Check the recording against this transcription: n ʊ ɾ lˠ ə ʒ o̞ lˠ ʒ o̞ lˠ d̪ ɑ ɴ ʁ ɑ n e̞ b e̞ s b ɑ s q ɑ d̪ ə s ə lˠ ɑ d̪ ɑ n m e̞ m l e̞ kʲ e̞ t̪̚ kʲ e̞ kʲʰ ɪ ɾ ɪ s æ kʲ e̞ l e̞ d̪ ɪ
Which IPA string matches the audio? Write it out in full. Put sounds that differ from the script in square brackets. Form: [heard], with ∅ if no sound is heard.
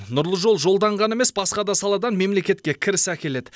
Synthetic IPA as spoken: n ʊ ɾ lˠ ə ʒ o̞ lˠ ʒ o̞ lˠ d̪ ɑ ɴ ʁ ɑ n e̞ [m] e̞ s b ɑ s q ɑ d̪ [ɑ] s [ɑ] lˠ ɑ d̪ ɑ n m e̞ m l e̞ kʲ e̞ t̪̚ kʲ e̞ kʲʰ ɪ ɾ ɪ s æ kʲ e̞ l e̞ d̪ ɪ